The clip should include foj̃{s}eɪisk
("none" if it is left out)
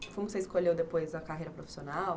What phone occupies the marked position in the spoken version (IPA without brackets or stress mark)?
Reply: s